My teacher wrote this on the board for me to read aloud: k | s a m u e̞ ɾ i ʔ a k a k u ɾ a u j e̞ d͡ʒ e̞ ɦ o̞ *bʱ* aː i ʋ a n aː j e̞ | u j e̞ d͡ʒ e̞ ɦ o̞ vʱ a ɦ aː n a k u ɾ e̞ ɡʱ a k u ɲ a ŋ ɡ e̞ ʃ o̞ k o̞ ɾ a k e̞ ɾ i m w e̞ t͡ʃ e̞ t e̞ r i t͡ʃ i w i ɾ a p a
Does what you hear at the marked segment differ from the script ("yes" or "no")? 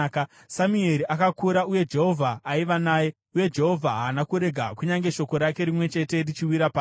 yes